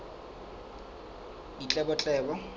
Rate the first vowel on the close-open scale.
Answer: close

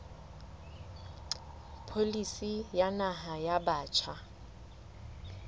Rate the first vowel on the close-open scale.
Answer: mid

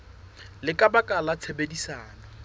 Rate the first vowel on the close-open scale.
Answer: close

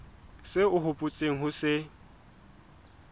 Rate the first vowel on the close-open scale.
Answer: close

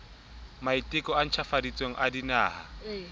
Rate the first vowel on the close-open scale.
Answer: open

